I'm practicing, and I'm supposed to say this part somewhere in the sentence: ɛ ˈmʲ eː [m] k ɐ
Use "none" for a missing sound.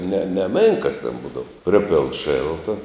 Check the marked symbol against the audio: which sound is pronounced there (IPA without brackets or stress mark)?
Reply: ŋ